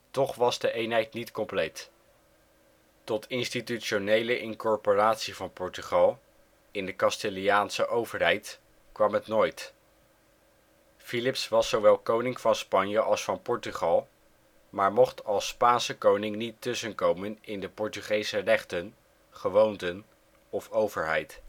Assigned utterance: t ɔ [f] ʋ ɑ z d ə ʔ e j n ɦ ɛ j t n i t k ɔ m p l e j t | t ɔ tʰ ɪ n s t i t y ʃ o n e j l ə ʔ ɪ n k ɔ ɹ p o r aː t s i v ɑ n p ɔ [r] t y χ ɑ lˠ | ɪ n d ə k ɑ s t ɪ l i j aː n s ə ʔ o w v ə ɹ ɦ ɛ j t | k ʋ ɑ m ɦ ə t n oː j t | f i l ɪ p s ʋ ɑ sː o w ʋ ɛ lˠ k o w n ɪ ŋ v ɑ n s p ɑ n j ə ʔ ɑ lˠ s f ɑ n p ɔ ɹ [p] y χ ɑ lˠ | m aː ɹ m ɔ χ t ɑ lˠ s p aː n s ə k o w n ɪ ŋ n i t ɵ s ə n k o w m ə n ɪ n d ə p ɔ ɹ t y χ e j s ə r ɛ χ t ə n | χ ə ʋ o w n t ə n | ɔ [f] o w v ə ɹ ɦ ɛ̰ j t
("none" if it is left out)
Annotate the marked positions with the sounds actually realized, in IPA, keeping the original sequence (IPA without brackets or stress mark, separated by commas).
χ, ɹ, t, f